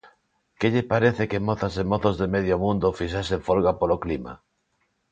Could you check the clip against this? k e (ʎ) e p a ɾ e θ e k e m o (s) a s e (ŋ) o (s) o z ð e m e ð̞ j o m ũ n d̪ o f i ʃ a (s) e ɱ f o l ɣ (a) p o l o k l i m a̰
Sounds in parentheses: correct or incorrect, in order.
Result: correct, incorrect: θ, incorrect: m, incorrect: θ, correct, correct

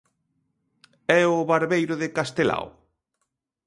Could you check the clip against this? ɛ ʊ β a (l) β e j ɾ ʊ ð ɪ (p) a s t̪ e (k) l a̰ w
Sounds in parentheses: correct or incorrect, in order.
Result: incorrect: ɾ, incorrect: k, incorrect: none

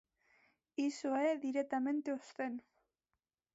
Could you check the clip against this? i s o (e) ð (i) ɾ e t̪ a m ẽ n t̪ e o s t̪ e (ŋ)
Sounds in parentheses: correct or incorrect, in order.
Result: correct, correct, incorrect: n

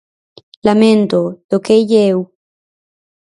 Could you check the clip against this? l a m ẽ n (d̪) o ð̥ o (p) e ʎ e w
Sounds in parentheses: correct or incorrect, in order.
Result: incorrect: t̪, incorrect: k

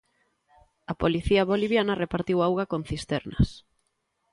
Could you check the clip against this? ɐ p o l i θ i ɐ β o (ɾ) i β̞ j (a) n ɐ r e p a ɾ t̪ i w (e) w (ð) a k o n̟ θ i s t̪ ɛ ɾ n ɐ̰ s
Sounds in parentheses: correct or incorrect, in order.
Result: incorrect: l, correct, incorrect: a, incorrect: ɣ

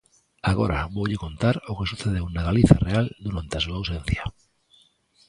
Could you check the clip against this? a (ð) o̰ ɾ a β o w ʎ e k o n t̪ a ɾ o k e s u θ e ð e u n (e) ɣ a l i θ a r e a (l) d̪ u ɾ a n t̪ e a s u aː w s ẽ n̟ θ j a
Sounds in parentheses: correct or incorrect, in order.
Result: incorrect: ɣ, incorrect: a, correct

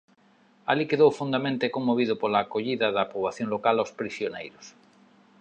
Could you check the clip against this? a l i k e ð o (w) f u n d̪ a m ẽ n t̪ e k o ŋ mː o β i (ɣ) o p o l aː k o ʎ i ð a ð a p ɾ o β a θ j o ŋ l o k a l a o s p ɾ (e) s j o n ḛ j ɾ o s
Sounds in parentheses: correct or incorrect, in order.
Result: correct, incorrect: ð, incorrect: i

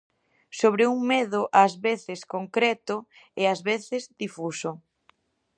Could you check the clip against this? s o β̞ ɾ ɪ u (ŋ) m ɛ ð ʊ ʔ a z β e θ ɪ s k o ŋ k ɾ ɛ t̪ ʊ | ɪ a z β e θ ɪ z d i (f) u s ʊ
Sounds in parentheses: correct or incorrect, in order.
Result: correct, correct

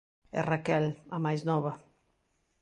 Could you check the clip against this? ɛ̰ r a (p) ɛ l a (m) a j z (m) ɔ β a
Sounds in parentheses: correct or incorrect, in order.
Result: incorrect: k, correct, incorrect: n

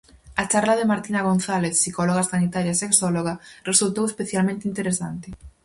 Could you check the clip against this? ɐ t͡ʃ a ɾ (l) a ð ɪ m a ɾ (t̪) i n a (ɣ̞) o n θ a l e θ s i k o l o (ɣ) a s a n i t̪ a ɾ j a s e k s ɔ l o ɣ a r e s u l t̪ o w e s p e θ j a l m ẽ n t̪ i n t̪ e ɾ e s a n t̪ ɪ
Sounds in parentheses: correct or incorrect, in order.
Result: correct, correct, correct, correct

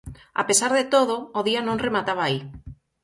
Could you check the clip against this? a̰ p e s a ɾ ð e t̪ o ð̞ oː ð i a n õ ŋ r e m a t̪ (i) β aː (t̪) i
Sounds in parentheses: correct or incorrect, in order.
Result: incorrect: a, incorrect: none

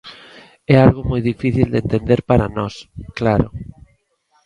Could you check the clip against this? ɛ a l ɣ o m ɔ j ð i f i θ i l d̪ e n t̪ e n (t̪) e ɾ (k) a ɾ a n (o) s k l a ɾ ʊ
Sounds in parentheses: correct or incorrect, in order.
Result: incorrect: d̪, incorrect: p, incorrect: ɔ

